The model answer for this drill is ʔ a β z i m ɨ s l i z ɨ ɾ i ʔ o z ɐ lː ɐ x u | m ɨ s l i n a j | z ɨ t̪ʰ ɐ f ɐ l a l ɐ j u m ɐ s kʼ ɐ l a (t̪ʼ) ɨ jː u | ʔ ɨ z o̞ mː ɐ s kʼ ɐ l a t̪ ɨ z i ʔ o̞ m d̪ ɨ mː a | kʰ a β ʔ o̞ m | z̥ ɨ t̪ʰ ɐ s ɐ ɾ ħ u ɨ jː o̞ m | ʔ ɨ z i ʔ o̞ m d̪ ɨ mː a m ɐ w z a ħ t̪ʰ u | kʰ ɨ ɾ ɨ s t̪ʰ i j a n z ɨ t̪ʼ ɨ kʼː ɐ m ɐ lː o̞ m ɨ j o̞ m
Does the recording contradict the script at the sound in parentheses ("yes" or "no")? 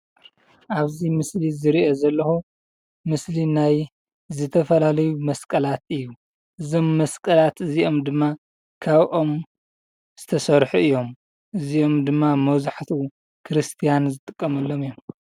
yes